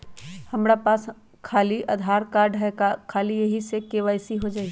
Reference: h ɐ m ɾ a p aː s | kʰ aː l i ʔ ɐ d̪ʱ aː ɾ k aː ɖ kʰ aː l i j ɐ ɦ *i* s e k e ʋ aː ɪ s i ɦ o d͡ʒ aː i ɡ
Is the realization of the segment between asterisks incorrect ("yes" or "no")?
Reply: no